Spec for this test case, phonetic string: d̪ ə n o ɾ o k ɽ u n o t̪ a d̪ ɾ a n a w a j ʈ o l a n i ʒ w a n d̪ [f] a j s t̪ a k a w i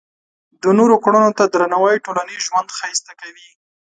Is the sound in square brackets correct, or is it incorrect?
incorrect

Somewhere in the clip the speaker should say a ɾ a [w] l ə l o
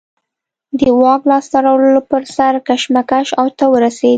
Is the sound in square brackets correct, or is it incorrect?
correct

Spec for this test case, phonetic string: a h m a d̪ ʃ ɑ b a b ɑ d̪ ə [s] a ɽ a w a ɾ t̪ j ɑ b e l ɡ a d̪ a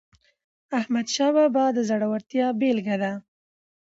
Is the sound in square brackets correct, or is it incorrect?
incorrect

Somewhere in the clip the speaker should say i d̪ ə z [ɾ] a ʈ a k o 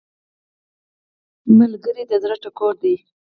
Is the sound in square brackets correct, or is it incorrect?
correct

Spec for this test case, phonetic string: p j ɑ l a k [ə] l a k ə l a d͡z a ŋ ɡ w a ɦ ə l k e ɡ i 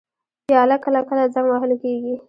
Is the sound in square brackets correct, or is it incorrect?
correct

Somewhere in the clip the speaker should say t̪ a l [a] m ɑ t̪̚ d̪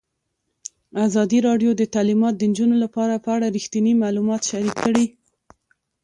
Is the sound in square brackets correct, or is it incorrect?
incorrect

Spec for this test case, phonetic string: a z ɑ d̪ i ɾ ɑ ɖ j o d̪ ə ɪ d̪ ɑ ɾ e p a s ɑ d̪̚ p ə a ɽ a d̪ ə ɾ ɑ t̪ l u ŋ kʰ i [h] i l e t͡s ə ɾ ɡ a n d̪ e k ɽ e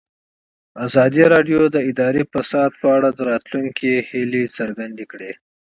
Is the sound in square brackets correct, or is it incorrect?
correct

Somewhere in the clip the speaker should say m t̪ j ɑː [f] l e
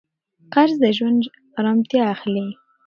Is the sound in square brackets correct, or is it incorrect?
incorrect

